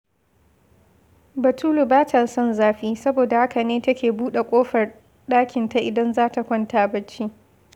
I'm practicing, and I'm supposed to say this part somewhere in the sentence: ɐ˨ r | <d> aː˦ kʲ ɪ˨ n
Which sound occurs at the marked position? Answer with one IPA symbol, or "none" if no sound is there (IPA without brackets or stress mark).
ɗ